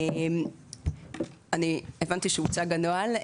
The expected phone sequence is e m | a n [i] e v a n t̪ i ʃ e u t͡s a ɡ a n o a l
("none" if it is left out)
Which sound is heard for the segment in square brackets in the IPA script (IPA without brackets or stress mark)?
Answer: i